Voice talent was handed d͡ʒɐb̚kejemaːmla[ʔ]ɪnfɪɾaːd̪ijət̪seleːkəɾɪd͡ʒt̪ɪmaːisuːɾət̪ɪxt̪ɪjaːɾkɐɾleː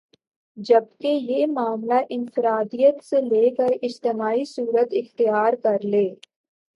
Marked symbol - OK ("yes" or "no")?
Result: yes